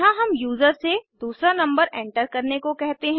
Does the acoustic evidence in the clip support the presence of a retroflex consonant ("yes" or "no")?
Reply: yes